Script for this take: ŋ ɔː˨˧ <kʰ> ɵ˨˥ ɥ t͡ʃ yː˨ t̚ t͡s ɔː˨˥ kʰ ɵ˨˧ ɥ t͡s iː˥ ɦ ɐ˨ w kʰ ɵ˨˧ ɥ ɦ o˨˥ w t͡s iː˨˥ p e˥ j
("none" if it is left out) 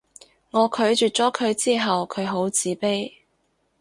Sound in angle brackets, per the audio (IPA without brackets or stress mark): kʰ